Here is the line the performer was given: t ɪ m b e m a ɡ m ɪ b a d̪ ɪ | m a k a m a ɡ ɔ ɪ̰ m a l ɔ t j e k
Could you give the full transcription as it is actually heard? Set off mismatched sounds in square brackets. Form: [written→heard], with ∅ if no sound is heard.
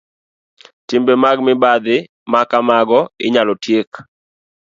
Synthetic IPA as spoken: t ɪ m b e m a ɡ m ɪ b a d̪ ɪ | m a k a m a ɡ ɔ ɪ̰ [m→ɲ] a l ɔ t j e k